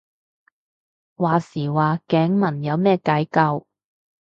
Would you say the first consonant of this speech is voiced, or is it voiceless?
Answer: voiced